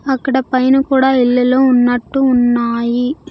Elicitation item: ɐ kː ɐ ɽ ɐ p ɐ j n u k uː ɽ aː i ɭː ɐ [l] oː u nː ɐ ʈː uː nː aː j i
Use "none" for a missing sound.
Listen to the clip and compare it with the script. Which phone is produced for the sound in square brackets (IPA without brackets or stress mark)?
l